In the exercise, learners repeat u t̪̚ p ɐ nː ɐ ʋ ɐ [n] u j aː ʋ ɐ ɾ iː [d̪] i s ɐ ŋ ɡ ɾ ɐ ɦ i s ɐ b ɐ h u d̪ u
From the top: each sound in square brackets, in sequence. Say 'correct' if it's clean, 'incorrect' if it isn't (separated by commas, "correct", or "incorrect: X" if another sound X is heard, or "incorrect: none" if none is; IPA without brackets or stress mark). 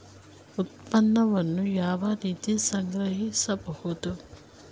incorrect: nː, incorrect: t̪